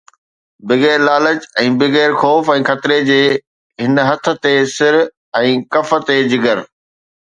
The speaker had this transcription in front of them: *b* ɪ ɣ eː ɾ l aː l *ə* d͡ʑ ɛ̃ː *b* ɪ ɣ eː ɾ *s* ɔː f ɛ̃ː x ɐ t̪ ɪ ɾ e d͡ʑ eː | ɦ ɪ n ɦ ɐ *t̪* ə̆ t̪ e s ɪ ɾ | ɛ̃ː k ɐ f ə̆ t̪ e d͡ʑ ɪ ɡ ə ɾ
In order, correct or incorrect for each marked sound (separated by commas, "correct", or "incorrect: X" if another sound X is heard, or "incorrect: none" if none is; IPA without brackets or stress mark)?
correct, correct, correct, incorrect: x, incorrect: t̪ʰ